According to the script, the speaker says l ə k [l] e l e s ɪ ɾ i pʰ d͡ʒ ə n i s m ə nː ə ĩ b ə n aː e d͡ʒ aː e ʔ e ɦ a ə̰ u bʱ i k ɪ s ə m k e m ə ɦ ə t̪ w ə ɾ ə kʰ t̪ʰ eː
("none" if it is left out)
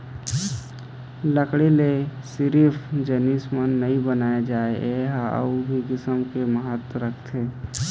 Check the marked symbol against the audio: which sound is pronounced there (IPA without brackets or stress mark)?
ɽ